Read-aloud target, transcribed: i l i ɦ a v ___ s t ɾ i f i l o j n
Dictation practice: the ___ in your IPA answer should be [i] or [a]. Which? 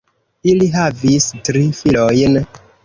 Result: i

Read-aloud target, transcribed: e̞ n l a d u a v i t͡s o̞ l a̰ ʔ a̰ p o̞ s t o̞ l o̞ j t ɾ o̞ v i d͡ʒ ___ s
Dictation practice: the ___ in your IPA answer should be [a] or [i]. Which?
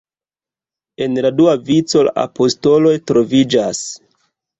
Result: a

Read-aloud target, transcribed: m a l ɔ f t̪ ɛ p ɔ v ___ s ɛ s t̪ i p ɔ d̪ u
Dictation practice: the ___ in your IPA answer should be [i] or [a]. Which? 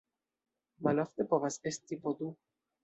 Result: a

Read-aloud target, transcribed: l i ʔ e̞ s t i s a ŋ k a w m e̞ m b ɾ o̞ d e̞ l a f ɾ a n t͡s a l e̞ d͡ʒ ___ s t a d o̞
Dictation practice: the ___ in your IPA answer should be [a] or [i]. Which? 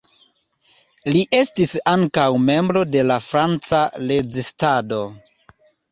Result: i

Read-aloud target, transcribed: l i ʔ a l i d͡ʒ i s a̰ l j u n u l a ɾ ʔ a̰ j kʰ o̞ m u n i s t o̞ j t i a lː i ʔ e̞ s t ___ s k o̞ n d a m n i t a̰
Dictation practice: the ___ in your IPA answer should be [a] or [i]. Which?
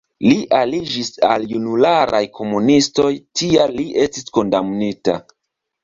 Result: i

